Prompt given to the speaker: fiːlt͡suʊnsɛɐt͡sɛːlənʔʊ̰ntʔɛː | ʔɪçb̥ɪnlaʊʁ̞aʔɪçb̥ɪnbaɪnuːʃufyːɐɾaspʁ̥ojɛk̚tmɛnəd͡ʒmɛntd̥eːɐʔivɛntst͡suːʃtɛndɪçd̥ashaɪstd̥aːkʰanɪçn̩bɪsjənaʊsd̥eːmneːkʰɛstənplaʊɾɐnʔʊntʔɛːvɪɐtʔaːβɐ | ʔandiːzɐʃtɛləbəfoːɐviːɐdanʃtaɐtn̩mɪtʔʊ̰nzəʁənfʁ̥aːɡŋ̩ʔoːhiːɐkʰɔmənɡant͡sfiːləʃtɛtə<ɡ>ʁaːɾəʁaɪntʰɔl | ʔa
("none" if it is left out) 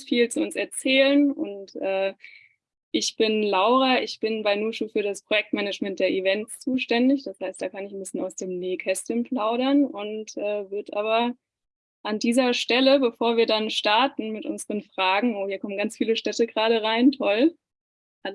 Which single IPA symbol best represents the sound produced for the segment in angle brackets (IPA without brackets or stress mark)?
ɡ